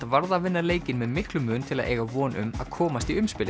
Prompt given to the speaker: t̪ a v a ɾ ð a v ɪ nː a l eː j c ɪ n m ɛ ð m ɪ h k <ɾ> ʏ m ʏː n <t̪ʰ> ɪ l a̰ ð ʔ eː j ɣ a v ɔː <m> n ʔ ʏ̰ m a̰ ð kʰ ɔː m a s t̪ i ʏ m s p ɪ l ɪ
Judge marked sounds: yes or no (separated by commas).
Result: no, yes, no